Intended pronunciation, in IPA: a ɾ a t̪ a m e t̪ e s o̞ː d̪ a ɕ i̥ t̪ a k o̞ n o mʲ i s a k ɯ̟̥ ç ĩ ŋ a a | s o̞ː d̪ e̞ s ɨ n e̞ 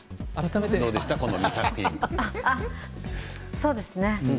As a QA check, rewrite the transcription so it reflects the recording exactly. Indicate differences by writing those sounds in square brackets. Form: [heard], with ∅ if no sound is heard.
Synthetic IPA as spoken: a ɾ a t̪ a m e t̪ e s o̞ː d̪ [e] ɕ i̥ t̪ a k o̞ n o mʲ i s a k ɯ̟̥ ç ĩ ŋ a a | s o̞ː d̪ e̞ s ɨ n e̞